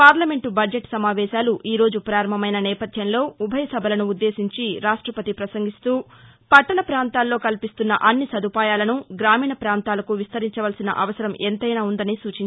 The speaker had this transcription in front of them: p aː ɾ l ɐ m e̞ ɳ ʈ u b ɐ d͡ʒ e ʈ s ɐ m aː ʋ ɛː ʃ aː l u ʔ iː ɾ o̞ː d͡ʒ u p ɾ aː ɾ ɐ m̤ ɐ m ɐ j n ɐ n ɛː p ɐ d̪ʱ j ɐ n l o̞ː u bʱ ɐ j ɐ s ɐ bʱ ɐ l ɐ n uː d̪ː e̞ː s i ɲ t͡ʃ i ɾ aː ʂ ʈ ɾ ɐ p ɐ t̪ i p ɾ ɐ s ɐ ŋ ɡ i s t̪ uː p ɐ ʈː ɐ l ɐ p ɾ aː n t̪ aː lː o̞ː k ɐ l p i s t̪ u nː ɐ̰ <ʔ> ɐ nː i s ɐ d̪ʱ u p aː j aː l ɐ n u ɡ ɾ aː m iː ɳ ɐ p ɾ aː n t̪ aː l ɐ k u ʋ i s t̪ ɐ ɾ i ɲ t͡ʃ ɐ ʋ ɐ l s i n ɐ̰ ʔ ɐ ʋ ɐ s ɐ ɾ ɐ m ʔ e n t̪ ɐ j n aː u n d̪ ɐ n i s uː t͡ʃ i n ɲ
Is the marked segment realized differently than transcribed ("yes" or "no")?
no